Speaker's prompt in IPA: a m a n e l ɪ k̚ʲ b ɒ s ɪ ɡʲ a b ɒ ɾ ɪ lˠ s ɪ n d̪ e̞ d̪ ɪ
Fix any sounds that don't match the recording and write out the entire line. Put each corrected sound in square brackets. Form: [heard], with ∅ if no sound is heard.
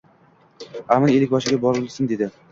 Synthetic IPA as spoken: a m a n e l ɪ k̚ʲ b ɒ [ʃ] ɪ ɡʲ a b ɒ ɾ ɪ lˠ s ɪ n d̪ e̞ d̪ ɪ